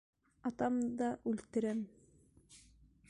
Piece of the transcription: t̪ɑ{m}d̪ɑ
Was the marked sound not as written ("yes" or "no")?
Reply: no